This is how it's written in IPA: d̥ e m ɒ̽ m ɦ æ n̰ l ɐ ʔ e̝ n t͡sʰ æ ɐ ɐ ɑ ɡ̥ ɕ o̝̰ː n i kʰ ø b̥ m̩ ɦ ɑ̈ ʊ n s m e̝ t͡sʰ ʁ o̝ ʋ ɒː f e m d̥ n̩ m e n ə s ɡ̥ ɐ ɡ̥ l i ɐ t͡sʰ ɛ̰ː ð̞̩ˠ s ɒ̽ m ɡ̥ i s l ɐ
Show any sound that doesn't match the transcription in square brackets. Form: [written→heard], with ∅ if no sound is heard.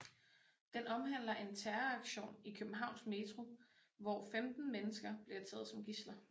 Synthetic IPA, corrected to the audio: d̥ e [m→n] ɒ̽ m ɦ æ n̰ l ɐ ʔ e̝ n t͡sʰ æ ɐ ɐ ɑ ɡ̥ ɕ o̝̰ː n i kʰ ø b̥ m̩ ɦ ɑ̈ ʊ n s m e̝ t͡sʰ ʁ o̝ ʋ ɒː f e m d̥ n̩ m e n ə s ɡ̥ ɐ [ɡ̥→b̥] l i ɐ t͡sʰ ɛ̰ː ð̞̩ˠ s ɒ̽ m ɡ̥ i s l ɐ

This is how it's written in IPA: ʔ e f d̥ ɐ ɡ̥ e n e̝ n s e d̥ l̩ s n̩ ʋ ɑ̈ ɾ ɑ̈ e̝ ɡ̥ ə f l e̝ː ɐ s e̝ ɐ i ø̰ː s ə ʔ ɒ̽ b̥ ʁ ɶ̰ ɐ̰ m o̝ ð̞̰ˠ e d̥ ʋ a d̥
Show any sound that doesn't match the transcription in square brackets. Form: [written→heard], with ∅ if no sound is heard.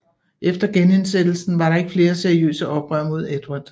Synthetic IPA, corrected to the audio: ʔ e f d̥ ɐ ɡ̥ e n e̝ n s e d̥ l̩ s n̩ ʋ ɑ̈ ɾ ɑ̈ e̝ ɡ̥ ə f l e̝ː ɐ s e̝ ɐ i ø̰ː s ə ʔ ɒ̽ b̥ ʁ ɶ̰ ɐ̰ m o̝ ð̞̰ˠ e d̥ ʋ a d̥

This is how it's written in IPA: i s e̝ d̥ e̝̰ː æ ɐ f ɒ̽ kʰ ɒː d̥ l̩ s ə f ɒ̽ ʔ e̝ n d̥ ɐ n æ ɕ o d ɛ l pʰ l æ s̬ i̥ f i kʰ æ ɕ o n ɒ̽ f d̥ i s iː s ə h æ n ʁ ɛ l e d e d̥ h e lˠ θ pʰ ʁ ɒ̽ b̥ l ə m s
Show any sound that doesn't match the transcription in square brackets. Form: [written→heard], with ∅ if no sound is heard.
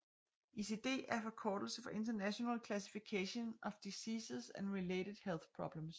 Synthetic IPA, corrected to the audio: i s e̝ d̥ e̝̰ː æ ɐ f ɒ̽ kʰ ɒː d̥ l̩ s ə f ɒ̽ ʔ e̝ n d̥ ɐ n æ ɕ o [d→n] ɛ l [pʰ→kʰ] l æ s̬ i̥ f i kʰ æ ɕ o n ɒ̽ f d̥ i s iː s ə [h→s] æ n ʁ [ɛ→i] l e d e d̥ h e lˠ θ pʰ ʁ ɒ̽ b̥ l ə m s

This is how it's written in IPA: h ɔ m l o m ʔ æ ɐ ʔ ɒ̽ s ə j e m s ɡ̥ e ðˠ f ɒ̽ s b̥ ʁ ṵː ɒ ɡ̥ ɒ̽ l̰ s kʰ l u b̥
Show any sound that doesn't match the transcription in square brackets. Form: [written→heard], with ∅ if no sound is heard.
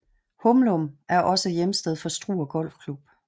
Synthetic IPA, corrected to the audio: h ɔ m l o m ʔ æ ɐ ʔ ɒ̽ s ə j e m s [ɡ̥→d̥] e ðˠ f ɒ̽ s [b̥→d̥] ʁ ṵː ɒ ɡ̥ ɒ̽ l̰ [s→f] kʰ l u b̥

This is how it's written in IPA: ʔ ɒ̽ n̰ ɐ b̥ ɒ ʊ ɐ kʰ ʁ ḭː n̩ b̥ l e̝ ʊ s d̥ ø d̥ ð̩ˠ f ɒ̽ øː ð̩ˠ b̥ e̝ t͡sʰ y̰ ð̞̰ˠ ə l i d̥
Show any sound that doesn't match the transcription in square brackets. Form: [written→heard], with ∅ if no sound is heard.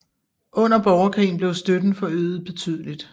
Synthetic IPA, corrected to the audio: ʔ [ɒ̽→ɔ̽] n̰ ɐ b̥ ɒ ʊ ɐ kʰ ʁ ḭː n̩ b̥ l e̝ ʊ s d̥ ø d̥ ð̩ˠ f ɒ̽ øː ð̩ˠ b̥ e̝ t͡sʰ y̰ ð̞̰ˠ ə l i d̥

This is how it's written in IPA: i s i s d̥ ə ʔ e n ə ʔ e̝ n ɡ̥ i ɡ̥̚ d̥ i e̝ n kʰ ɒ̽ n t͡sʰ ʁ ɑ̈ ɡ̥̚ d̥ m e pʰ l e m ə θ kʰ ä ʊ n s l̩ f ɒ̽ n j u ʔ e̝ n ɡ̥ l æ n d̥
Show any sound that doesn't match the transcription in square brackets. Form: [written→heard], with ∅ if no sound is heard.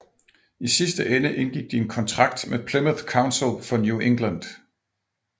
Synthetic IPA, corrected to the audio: i s i s d̥ ə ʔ e n ə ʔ e̝ n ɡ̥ i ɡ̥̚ d̥ i e̝ n kʰ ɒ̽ n t͡sʰ ʁ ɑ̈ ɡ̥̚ d̥ m e pʰ l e m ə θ kʰ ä ʊ n s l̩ f ɒ̽ n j u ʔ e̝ [n→ŋ] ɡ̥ l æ n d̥

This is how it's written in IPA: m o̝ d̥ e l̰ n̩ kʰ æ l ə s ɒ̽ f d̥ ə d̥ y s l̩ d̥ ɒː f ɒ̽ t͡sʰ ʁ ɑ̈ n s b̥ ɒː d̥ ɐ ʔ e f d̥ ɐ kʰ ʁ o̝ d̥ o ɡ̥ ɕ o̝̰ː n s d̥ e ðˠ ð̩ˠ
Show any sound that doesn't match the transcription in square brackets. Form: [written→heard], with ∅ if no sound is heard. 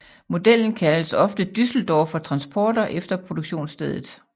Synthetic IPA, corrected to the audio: m o̝ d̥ e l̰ n̩ kʰ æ l ə s ɒ̽ f d̥ ə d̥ y s l̩ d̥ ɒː f ɒ̽ t͡sʰ ʁ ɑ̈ n s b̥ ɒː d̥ ɐ ʔ e f d̥ ɐ [kʰ→pʰ] ʁ o̝ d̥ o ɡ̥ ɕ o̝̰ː n s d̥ e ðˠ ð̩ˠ

